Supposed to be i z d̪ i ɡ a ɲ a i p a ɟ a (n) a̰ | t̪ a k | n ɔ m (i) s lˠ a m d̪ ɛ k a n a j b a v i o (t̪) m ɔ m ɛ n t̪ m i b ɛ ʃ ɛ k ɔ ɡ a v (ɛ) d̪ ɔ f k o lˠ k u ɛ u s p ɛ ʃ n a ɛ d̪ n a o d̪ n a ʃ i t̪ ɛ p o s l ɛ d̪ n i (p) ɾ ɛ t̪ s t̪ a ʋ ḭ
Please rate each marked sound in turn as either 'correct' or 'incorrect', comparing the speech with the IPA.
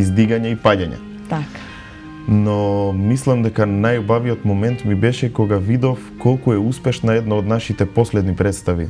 incorrect: ɲ, correct, correct, incorrect: i, correct

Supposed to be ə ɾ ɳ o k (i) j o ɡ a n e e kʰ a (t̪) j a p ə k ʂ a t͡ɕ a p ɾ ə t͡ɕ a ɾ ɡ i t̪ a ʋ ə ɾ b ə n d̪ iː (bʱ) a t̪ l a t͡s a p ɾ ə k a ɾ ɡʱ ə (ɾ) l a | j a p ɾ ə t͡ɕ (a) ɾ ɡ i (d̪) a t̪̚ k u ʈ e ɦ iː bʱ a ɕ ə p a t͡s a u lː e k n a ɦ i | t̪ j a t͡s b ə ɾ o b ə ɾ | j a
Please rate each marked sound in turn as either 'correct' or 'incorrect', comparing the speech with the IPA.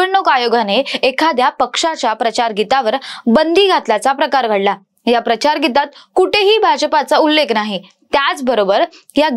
incorrect: a, incorrect: d̪, incorrect: ɡʱ, incorrect: ɽ, correct, incorrect: t̪

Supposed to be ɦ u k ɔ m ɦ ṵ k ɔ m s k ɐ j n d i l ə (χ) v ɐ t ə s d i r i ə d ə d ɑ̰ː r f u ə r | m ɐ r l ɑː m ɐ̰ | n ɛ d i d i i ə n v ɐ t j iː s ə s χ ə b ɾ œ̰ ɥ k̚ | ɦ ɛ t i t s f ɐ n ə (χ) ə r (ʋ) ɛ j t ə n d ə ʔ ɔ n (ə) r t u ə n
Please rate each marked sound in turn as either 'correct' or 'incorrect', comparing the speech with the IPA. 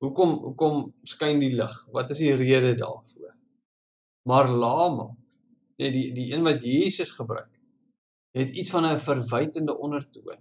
correct, incorrect: f, incorrect: v, correct

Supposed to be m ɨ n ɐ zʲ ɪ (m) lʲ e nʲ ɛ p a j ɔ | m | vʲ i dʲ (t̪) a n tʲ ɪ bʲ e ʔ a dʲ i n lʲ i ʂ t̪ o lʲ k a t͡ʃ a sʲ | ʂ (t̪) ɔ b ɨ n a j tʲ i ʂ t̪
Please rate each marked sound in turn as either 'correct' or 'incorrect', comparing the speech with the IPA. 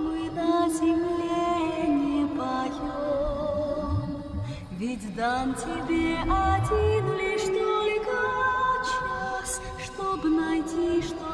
correct, incorrect: d̪, correct

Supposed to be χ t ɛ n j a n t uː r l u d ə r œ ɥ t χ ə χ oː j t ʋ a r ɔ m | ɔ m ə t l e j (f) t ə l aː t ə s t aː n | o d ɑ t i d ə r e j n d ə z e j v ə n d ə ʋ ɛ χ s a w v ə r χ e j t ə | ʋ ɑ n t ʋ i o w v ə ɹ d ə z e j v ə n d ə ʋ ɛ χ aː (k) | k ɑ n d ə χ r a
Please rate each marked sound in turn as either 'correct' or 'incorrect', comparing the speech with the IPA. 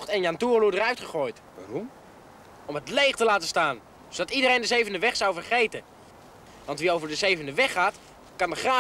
incorrect: χ, incorrect: t

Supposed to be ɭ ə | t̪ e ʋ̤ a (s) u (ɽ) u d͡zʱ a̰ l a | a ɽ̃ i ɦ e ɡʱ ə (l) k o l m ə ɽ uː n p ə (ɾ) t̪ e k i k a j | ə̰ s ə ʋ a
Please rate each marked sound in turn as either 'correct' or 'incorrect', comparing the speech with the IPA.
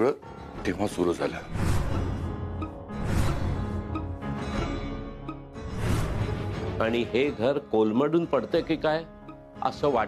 correct, incorrect: ɾ, incorrect: ɾ, incorrect: ɽ

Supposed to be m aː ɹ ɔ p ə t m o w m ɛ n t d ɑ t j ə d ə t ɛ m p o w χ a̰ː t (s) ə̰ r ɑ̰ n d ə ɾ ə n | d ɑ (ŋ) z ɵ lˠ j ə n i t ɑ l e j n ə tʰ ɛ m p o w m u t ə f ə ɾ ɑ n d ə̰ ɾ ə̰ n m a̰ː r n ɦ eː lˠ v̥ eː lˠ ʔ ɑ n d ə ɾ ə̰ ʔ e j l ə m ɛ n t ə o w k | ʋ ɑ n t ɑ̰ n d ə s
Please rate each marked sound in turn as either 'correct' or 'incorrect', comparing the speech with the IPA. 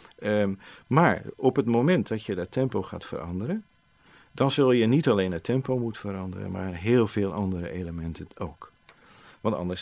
incorrect: f, incorrect: n

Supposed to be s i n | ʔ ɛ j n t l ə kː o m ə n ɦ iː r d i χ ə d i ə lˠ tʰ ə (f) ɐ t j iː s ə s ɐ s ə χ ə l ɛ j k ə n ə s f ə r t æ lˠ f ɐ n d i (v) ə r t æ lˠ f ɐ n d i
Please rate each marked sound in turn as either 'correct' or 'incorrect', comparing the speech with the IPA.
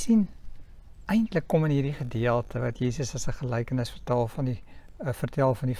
incorrect: v, incorrect: f

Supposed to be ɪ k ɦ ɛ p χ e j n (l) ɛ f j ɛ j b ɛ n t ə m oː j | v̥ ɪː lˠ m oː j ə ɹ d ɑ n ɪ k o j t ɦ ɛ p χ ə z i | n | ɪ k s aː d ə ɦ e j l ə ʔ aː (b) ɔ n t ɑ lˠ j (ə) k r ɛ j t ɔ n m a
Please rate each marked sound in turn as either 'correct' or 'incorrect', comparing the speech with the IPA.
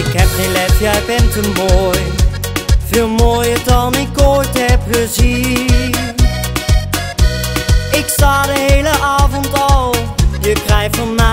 correct, incorrect: v, correct

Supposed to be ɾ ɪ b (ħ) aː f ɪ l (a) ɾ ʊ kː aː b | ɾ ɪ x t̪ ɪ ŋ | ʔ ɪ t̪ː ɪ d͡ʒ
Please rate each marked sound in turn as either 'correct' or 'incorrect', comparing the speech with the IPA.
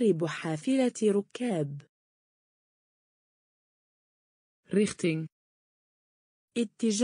correct, correct

